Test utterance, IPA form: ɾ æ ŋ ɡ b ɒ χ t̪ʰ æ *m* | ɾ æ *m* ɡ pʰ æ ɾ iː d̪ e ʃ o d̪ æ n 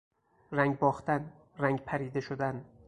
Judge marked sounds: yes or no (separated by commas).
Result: no, no